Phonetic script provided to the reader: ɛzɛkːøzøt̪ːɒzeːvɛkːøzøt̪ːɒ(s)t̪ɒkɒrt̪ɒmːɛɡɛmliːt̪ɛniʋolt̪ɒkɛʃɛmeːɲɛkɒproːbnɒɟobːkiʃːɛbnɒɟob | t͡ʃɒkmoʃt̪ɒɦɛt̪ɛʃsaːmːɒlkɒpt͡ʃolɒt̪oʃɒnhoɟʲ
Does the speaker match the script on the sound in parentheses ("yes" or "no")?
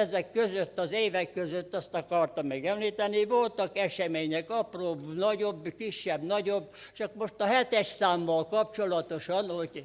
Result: yes